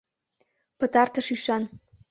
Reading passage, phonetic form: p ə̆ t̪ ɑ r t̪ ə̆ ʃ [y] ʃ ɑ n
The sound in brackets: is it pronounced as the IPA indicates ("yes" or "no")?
yes